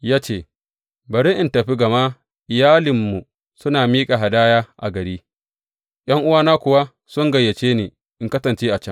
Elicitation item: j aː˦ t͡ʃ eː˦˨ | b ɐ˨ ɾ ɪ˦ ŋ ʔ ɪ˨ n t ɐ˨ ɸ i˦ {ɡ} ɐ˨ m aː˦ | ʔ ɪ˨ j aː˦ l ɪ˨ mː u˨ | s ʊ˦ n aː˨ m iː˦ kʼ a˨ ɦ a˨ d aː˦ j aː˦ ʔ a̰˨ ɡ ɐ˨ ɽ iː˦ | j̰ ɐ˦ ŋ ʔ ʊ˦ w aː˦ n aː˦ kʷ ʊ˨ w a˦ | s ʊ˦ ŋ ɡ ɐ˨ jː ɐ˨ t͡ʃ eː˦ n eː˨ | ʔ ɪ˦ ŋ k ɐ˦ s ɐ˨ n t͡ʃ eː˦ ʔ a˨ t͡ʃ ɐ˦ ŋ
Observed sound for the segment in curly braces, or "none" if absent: ɡ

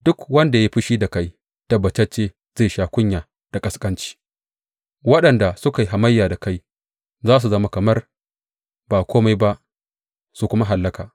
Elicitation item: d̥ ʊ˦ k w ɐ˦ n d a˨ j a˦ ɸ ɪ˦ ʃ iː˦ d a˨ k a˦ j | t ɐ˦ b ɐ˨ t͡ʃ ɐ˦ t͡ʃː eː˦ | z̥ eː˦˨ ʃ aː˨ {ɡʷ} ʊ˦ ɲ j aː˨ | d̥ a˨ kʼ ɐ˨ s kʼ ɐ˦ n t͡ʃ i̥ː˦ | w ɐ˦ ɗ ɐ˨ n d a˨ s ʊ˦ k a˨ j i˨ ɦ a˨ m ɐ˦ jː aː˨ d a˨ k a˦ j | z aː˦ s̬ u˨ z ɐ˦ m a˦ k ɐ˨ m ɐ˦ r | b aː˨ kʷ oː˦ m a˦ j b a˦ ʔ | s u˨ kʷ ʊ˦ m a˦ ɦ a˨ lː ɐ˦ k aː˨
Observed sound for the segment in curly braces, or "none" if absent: kʷ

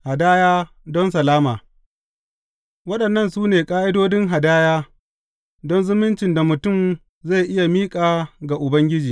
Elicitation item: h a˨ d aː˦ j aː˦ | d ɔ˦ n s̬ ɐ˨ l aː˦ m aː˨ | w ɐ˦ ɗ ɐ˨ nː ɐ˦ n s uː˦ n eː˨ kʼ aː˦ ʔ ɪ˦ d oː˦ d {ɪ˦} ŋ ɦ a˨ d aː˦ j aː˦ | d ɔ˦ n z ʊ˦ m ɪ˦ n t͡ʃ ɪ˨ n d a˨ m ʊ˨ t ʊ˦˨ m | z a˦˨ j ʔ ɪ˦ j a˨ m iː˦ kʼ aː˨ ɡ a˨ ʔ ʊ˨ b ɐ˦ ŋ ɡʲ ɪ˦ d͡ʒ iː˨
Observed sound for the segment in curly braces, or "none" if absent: ɪ˦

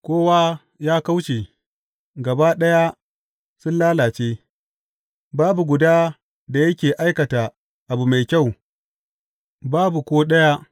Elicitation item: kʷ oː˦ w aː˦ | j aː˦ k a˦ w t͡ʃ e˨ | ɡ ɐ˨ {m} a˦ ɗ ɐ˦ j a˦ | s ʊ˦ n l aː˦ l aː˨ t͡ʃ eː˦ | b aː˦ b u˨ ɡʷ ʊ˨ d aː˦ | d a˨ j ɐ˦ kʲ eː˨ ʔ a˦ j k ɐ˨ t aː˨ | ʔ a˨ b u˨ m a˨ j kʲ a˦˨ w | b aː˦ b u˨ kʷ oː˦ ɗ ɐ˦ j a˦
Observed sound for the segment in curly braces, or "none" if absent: b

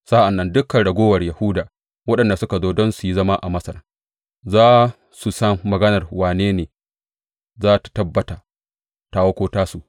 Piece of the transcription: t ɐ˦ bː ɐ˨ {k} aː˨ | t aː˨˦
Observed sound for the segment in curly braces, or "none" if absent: t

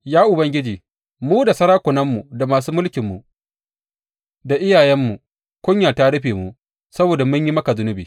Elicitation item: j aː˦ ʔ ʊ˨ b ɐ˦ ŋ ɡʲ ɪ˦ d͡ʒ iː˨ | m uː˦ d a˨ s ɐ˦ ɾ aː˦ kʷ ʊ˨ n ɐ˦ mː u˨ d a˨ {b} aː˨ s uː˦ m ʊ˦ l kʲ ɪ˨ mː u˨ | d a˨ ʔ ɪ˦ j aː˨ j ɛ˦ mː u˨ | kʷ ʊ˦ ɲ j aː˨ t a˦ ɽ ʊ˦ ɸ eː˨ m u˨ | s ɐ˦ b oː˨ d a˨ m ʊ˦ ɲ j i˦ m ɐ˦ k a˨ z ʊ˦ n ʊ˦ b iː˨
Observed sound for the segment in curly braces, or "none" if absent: m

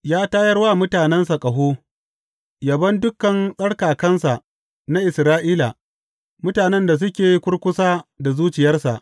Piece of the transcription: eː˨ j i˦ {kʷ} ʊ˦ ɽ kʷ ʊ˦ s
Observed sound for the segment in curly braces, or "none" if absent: kʷ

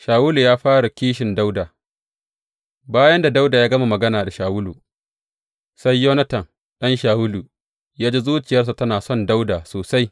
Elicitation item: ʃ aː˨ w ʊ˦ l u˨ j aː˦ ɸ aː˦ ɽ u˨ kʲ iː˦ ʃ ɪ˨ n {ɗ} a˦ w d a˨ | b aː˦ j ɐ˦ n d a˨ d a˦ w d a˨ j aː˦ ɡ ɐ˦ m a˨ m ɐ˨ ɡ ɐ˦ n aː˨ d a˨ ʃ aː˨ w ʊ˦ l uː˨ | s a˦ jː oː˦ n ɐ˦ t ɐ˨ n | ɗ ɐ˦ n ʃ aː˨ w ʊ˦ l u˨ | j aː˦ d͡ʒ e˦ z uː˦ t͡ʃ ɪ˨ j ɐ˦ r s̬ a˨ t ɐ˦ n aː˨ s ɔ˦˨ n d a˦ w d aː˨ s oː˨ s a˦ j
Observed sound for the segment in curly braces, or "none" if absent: d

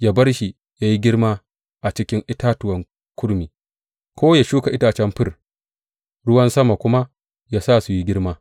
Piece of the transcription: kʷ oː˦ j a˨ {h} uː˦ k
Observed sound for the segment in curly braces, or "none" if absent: ʃ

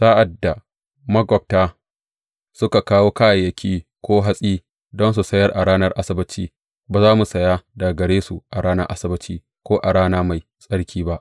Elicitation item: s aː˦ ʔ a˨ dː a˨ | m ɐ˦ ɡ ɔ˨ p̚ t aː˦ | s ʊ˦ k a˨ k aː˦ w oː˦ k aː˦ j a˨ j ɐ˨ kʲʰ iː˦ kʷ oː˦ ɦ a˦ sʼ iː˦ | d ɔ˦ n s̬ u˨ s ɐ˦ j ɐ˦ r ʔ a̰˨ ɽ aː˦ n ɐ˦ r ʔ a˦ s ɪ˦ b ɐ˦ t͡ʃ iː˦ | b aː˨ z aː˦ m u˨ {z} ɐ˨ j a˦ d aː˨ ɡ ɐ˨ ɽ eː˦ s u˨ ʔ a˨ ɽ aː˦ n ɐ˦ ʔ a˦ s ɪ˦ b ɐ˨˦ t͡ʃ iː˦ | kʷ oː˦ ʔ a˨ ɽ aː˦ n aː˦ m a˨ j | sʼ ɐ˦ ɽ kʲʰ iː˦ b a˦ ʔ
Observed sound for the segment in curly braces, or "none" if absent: s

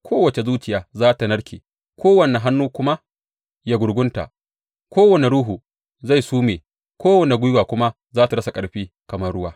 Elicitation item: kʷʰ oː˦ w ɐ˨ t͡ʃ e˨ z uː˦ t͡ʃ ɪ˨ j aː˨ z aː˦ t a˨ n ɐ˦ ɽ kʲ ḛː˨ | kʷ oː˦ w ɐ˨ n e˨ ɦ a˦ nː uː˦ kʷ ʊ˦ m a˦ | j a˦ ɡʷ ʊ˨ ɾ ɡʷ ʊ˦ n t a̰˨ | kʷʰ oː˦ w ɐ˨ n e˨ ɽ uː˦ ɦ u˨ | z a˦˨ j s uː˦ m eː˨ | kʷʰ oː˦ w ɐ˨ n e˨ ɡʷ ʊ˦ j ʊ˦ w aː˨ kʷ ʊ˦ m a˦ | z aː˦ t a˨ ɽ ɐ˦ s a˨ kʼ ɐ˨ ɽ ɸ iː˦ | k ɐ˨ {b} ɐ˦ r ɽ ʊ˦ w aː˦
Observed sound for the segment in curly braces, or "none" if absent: m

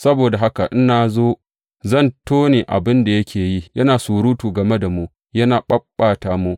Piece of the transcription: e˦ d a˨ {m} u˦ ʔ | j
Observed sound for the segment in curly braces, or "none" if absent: m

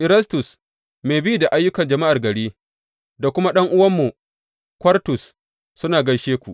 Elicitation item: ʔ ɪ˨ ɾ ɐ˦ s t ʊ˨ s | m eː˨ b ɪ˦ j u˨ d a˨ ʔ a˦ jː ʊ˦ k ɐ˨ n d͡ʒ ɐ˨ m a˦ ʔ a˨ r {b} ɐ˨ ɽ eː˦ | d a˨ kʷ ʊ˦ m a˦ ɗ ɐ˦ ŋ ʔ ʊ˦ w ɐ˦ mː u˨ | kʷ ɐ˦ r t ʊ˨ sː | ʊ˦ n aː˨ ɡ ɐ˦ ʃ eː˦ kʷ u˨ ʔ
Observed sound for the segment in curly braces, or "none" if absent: ɡ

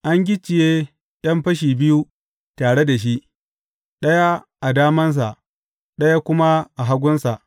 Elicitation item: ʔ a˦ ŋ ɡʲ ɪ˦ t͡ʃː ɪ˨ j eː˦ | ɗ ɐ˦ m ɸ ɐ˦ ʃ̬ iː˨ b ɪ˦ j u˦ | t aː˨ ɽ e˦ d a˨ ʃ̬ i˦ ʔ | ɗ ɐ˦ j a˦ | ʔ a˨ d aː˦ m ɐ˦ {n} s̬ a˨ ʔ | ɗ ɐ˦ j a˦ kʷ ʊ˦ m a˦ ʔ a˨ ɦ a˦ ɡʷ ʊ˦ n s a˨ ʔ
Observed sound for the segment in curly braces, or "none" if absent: n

